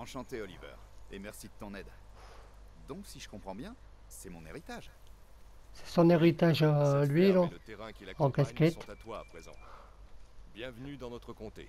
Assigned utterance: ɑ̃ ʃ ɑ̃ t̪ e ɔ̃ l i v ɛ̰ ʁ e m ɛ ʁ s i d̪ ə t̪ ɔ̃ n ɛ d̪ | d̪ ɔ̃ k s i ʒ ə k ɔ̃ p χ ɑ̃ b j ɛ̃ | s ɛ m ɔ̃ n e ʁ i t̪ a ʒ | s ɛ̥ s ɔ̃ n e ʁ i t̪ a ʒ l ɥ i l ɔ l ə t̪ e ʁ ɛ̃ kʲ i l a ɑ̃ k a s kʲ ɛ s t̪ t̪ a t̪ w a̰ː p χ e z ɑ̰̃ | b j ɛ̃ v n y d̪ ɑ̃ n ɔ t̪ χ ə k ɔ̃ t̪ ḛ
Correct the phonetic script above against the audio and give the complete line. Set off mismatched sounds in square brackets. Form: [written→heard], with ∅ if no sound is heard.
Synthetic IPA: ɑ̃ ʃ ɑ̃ t̪ e [ɔ̃→ɔ] l i v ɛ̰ ʁ e m ɛ ʁ s i d̪ ə t̪ ɔ̃ n ɛ d̪ | d̪ ɔ̃ k s i ʒ ə k ɔ̃ p χ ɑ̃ b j ɛ̃ | s ɛ m ɔ̃ n e ʁ i t̪ a ʒ | s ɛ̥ s ɔ̃ n e ʁ i t̪ a ʒ l ɥ i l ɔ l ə t̪ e ʁ ɛ̃ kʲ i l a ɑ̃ k a s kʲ ɛ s t̪ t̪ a t̪ w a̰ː p χ e z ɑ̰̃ | b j ɛ̃ v n y d̪ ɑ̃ n ɔ t̪ χ ə k ɔ̃ t̪ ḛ